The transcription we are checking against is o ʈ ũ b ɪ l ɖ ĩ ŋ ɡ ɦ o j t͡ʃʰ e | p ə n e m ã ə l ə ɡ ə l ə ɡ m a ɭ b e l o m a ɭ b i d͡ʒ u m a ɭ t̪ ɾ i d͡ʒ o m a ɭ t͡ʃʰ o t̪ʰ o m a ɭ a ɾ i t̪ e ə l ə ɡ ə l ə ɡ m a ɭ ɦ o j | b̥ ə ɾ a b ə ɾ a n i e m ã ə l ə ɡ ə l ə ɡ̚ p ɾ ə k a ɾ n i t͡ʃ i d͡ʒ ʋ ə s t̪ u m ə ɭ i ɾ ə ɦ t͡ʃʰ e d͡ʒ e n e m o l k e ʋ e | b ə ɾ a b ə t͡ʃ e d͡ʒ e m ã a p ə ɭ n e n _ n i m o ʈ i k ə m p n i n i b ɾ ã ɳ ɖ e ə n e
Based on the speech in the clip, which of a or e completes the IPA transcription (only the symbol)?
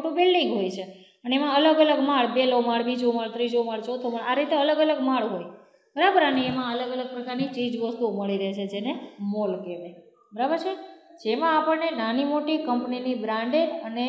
a